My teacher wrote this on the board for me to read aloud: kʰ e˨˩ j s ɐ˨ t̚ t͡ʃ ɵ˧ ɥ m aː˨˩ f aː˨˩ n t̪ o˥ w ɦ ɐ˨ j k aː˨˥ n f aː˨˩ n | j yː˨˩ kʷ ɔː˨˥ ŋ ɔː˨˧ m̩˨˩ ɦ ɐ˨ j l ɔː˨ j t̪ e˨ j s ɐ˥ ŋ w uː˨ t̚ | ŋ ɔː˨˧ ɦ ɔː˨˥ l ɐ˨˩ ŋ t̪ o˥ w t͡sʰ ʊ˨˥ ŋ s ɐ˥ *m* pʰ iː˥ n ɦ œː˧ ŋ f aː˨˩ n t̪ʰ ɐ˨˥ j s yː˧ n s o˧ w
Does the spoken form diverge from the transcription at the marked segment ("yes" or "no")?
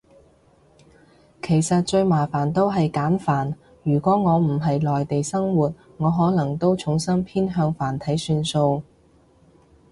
yes